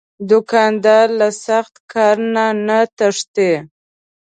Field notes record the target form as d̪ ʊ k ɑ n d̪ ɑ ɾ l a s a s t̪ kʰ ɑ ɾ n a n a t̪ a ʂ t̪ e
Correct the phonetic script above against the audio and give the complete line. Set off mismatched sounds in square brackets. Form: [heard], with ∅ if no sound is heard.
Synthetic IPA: d̪ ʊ k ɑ n d̪ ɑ ɾ l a s a [x] t̪ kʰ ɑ ɾ n a n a t̪ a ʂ t̪ e